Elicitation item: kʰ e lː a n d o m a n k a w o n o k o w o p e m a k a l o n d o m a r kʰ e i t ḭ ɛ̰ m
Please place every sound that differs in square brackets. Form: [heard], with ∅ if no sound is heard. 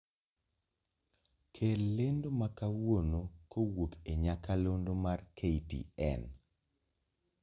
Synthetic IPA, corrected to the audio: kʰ e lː [e] n d o m a [∅] k a w o n o k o w o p e [ɲ] a k a l o n d o m a r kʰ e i t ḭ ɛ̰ [n]